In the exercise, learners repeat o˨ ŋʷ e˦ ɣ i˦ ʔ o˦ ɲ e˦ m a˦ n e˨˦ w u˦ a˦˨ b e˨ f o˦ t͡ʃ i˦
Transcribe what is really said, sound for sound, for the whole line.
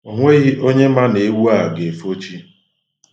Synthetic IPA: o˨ ŋʷ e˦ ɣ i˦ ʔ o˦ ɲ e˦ m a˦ n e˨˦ w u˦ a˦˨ ɡ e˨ f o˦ t͡ʃ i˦